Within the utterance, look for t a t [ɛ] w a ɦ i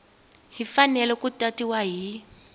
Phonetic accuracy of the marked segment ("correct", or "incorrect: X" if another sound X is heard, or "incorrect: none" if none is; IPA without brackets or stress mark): incorrect: i